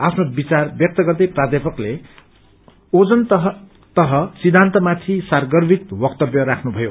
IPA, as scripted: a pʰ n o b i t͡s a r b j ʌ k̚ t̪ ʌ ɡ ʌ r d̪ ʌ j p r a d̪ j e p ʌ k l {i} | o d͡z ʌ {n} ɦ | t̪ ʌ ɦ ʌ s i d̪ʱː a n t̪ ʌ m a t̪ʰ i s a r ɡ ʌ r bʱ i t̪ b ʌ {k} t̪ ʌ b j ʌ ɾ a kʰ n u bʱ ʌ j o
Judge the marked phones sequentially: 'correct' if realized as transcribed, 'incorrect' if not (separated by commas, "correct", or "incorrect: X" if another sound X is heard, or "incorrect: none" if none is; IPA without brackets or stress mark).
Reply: incorrect: e, correct, correct